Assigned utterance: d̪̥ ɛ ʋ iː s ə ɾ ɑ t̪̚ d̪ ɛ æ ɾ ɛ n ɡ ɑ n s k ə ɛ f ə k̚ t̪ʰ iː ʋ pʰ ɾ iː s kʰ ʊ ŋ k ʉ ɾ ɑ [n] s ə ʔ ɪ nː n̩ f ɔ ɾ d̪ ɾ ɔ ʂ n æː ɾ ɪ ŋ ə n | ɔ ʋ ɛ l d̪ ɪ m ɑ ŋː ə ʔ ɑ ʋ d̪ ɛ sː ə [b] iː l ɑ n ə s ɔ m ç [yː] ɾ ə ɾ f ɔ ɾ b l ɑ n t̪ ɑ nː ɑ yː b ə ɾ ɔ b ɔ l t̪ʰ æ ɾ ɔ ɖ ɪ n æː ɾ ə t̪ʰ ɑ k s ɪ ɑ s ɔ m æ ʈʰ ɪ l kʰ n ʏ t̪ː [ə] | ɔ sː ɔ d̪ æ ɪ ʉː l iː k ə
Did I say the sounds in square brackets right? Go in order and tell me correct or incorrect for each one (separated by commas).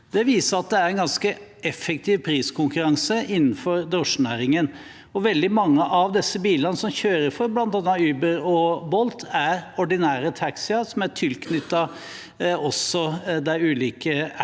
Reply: incorrect, correct, incorrect, incorrect